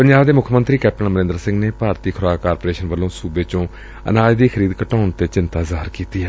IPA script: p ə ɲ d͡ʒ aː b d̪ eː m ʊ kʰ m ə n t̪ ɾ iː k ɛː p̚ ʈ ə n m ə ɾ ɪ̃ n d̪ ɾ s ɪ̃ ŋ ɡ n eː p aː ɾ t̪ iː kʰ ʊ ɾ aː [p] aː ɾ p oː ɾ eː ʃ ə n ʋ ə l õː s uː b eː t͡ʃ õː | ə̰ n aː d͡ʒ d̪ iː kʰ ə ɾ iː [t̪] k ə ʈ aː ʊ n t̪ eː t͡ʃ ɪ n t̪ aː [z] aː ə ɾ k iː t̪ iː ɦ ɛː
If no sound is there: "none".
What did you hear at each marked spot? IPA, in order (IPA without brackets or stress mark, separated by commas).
k, d̪, z